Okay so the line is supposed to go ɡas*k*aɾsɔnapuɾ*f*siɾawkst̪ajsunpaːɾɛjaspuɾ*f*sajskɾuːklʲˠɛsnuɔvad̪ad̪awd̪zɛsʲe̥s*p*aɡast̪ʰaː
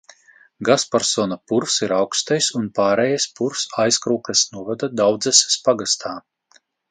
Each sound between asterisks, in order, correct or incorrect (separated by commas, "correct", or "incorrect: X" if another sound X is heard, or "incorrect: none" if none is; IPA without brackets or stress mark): incorrect: p, correct, correct, correct